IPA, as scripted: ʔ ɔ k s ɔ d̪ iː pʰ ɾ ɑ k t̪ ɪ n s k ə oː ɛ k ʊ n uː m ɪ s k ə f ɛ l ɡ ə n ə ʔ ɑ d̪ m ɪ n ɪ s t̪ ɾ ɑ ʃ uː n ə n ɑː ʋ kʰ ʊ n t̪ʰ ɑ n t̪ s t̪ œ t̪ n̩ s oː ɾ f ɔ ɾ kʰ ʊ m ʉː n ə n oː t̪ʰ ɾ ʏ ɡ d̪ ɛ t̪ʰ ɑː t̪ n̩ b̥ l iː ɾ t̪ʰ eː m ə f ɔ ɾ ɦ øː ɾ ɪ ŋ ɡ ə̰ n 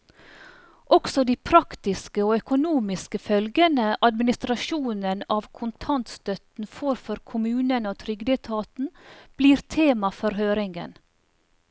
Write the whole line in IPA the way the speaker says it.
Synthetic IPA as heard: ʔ ɔ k s ɔ d̪ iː pʰ ɾ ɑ k t̪ ɪ s k ə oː œ k ʊ n uː m ɪ s k ə f œ l ɡ ə n ə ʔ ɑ d̪ m ɪ n ɪ s t̪ ɾ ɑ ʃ uː n ə n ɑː ʋ kʰ ʊ n t̪ʰ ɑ n t̪ s t̪ œ t̪ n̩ f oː ɾ f ɔ ɾ kʰ ʊ m ʉː n ə n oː t̪ʰ ɾ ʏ ɡ d̪ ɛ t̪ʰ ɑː t̪ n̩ b̥ l iː ɾ t̪ʰ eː m ɑ f ɔ ɾ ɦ øː ɾ ɪ ŋ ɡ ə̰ n